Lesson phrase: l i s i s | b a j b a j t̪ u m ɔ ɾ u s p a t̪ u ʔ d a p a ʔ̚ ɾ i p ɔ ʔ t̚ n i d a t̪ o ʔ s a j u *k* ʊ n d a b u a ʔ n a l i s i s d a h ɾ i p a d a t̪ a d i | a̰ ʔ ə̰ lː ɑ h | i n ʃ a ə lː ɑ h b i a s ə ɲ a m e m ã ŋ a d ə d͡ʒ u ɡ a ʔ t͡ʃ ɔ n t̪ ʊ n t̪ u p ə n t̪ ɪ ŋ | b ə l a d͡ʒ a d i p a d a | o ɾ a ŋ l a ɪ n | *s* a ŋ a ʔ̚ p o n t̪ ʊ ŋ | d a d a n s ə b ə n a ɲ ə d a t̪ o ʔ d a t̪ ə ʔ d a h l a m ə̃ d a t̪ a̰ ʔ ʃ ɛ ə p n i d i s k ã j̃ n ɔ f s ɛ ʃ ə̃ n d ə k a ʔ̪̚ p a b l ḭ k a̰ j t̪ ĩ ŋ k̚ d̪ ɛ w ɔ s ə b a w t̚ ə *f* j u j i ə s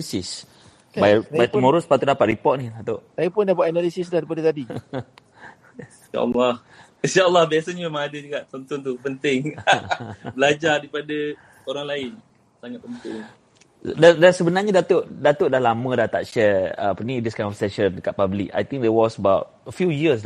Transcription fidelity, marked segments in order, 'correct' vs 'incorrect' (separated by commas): incorrect, correct, correct